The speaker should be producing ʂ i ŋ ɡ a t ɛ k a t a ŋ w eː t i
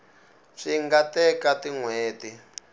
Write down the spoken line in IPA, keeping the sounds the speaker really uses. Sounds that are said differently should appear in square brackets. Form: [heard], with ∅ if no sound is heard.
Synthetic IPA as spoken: ʂ i ŋ ɡ a t ɛ k a t [i] ŋ w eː t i